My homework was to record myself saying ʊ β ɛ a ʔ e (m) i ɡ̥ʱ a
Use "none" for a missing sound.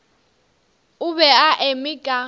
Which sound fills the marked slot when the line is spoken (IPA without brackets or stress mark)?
m